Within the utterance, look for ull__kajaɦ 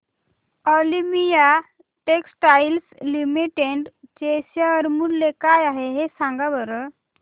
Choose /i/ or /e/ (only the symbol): e